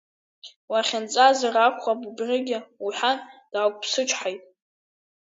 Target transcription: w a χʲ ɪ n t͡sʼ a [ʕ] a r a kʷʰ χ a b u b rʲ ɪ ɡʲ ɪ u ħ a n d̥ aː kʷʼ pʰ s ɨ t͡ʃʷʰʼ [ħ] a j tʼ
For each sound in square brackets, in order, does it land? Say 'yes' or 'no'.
no, yes

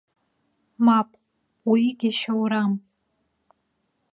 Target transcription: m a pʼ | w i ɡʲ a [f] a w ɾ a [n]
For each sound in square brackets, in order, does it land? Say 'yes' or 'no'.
no, no

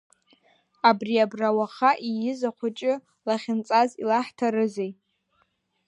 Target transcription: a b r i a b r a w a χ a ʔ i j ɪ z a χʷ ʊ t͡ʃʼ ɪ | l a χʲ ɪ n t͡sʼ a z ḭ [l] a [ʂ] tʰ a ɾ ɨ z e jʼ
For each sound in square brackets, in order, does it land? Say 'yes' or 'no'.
yes, no

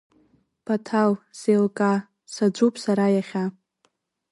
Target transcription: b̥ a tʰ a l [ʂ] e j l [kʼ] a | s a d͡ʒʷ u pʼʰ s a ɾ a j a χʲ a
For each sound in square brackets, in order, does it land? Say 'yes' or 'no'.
no, yes

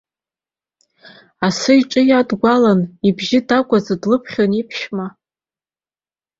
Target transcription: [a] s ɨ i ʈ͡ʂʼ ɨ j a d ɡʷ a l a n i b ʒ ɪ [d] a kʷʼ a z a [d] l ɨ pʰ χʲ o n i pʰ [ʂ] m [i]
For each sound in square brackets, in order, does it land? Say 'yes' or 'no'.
yes, yes, yes, no, no

